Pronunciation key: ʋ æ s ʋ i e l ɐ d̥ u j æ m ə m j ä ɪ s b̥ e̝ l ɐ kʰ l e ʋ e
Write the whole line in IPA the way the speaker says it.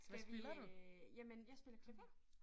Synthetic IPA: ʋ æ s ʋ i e l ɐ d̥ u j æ m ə n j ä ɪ s b̥ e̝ l ɐ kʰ l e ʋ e